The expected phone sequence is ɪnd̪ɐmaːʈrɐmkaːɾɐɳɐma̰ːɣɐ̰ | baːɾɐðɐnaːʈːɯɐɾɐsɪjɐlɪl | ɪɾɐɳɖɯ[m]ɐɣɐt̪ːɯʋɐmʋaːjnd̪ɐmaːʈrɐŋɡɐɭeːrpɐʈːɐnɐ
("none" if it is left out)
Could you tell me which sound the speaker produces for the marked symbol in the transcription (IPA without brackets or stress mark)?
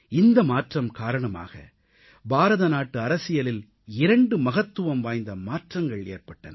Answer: m